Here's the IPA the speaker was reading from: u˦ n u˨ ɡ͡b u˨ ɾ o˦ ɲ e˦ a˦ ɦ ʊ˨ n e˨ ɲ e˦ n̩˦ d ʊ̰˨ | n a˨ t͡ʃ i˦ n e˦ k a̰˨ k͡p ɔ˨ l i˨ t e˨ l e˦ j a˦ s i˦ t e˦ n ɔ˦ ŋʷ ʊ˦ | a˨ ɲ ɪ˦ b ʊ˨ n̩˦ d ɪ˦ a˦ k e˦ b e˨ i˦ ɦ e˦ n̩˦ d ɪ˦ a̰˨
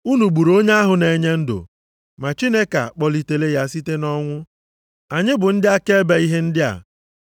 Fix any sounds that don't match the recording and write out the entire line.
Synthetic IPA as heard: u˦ n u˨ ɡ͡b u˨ ɾ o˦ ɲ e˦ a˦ ɦ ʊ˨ n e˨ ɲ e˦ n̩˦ d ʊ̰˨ | m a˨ t͡ʃ i˦ n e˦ k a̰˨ k͡p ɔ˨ l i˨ t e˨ l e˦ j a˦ s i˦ t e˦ n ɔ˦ ŋʷ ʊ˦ | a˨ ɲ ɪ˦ b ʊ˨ n̩˦ d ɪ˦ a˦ k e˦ b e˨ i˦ ɦ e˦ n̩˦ d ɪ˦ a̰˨

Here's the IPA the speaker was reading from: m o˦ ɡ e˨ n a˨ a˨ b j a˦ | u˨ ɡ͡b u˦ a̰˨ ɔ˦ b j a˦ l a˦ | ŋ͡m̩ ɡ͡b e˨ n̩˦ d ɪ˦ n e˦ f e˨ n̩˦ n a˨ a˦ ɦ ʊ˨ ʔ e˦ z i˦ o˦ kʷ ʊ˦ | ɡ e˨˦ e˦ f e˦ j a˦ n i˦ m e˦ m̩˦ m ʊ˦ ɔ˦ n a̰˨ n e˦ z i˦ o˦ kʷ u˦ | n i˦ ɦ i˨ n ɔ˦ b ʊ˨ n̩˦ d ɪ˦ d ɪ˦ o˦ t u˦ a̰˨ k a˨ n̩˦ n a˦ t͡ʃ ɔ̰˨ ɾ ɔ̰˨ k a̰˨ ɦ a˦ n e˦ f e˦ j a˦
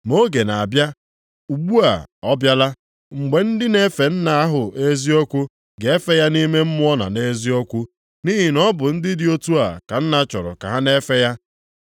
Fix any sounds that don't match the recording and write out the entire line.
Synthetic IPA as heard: m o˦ ɡ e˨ n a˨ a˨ b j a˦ | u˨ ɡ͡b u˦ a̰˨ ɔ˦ b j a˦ l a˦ | ŋ͡m̩ ɡ͡b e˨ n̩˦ d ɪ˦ n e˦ f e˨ n̩˦ n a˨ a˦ ɦ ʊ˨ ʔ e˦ z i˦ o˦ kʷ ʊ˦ | ɡ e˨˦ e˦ f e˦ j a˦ n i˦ m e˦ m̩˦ m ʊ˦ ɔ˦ n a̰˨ n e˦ z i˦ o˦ kʷ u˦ | n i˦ ɦ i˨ n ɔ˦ b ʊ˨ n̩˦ d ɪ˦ d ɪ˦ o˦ t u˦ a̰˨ k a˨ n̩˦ n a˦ t͡ʃ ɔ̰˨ ɾ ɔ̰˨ k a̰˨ ɦ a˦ n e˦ f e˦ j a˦

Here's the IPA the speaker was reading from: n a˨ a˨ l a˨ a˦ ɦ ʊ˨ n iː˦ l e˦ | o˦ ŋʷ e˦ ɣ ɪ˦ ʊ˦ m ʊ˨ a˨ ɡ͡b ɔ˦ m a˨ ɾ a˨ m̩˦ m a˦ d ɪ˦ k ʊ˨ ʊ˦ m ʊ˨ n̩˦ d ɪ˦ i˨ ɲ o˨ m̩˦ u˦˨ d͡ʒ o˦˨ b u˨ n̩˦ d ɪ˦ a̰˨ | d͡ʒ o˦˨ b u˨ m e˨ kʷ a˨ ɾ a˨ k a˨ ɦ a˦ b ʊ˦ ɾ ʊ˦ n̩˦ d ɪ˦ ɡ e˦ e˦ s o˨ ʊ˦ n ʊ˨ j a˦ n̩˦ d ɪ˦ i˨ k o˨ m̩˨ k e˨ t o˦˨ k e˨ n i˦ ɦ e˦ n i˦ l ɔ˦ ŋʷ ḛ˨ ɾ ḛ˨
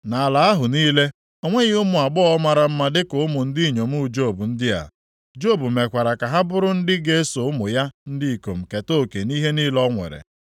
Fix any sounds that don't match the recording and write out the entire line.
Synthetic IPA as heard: n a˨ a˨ l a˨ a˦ ɦ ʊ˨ n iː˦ l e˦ | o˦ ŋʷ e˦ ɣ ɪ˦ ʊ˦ m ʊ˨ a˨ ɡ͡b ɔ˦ m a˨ ɾ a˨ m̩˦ m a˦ d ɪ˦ k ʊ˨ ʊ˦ m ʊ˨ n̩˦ d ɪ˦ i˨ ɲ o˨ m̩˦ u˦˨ d͡ʒ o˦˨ b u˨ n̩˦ d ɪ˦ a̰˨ | d͡ʒ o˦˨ b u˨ m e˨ kʷ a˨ ɾ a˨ k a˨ ɦ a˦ b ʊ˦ ɾ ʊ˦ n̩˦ d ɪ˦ ɡ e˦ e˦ s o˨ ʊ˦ m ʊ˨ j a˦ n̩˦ d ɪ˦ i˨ k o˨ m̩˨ k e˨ t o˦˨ k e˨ n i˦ ɦ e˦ n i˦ l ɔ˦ ŋʷ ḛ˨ ɾ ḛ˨

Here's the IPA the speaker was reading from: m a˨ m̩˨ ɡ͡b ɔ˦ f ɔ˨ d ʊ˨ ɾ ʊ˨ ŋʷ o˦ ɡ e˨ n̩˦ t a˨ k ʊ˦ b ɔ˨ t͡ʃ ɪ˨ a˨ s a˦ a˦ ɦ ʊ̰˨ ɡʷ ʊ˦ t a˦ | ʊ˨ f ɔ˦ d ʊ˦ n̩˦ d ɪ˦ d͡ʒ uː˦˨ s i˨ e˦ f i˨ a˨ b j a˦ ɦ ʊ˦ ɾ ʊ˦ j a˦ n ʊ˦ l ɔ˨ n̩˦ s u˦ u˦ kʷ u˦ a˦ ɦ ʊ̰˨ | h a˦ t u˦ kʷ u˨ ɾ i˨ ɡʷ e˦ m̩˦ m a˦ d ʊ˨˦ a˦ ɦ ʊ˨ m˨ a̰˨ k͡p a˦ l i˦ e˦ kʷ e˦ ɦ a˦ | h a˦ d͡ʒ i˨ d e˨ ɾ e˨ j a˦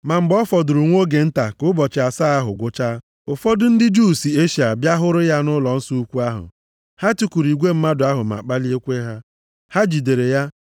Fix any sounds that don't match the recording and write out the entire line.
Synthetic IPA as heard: m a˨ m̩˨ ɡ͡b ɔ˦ f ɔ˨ d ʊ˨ ɾ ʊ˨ ŋʷ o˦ ɡ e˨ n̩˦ t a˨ k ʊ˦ b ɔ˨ t͡ʃ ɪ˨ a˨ s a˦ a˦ ɦ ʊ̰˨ ɡʷ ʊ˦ t͡ʃ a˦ | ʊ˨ f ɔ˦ d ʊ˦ n̩˦ d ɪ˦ d͡ʒ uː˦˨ s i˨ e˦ ʃ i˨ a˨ b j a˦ ɦ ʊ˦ ɾ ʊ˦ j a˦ n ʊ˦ l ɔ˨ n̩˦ s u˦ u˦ kʷ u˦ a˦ ɦ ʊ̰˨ | h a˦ t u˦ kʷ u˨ ɾ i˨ ɡʷ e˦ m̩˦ m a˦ d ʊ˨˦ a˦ ɦ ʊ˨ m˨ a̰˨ k͡p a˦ l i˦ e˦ kʷ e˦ ɦ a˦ | h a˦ d͡ʒ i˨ d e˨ ɾ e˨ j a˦

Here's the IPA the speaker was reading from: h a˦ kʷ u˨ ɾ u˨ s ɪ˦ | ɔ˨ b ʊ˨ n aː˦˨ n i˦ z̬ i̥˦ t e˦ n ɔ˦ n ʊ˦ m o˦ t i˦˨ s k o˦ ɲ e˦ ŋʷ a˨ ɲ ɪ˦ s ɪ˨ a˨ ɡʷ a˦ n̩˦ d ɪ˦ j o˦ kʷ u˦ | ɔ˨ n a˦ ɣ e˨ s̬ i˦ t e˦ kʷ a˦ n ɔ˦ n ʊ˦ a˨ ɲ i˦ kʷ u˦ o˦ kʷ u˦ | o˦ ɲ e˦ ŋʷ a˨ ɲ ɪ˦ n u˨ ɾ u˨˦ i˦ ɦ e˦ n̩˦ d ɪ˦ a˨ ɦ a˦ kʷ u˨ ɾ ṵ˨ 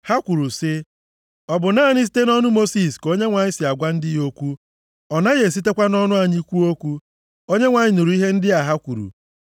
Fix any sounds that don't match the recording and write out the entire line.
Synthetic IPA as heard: h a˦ kʷ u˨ ɾ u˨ s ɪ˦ | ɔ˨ b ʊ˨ n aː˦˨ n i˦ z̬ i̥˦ t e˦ n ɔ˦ n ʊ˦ m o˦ s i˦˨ s k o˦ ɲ e˦ ŋʷ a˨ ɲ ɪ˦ s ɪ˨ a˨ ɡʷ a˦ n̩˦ d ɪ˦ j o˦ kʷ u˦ | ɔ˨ n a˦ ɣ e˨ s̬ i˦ t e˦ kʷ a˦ n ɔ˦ n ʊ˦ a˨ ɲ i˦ kʷ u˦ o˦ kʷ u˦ | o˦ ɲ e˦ ŋʷ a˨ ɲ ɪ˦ n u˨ ɾ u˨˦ i˦ ɦ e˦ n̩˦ d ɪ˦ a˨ ɦ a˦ kʷ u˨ ɾ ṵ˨

